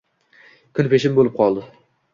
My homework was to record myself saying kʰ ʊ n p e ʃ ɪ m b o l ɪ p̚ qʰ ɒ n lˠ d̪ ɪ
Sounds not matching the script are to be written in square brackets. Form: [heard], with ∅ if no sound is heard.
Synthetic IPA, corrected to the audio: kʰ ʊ n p e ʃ ɪ m b o l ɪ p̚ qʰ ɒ [∅] lˠ d̪ ɪ